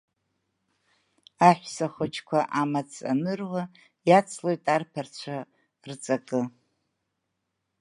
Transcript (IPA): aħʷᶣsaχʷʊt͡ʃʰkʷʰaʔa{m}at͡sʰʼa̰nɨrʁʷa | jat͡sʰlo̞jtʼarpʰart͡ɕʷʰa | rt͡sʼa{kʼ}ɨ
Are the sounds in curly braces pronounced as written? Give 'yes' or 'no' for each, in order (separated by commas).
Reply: yes, yes